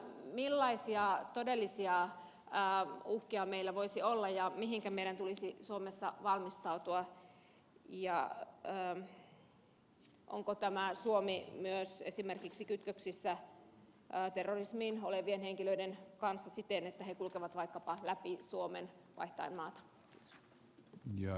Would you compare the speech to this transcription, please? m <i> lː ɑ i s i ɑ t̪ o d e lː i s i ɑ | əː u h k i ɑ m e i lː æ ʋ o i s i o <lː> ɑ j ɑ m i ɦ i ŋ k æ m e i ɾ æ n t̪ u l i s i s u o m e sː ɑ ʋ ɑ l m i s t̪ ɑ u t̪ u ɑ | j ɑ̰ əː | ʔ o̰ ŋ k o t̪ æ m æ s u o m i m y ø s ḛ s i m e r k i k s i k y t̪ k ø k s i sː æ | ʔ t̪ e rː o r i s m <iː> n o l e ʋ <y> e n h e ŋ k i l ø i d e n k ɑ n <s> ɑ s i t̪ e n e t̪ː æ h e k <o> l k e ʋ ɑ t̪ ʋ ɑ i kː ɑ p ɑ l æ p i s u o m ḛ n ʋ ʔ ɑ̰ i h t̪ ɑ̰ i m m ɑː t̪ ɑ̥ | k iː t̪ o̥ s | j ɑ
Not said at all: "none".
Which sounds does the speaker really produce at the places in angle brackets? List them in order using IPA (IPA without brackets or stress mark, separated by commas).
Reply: i, lː, iː, i, sː, u